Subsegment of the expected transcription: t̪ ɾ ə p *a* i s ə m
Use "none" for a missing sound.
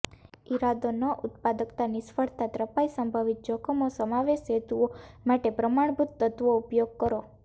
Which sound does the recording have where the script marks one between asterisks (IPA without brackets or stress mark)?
a